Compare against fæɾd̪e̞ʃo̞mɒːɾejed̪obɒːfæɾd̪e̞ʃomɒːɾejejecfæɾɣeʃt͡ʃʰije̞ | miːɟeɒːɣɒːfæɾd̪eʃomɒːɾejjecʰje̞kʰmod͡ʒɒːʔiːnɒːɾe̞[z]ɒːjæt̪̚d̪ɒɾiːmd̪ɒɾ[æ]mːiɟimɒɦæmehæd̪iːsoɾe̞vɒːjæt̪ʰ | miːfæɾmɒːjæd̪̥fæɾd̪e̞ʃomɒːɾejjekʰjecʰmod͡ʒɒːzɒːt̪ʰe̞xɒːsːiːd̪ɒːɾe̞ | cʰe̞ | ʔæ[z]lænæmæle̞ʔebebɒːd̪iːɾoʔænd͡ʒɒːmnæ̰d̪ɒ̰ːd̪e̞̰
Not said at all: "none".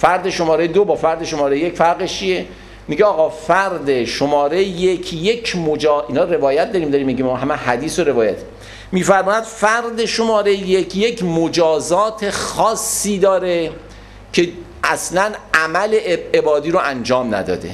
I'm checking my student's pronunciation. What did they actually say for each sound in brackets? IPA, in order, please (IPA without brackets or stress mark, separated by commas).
v, i, s